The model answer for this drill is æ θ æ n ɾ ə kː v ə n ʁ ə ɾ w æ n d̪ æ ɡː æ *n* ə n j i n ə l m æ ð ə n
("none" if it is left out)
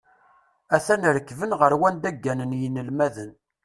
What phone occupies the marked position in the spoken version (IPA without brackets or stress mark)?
n